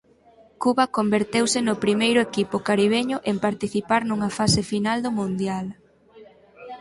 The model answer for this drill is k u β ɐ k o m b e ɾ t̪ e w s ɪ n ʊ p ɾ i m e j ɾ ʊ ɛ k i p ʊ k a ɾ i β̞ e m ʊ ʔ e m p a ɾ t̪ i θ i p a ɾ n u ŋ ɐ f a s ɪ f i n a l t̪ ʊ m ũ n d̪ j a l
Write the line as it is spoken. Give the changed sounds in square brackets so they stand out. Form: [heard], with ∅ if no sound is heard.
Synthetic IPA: k u β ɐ k o m b e ɾ t̪ e w s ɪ n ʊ p ɾ i m e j ɾ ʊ [e] k i p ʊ k a ɾ i β̞ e [ɲ] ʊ ʔ e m p a ɾ t̪ i θ i p a ɾ n u ŋ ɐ f a s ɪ f i n a l [d̪] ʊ m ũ n d̪ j a l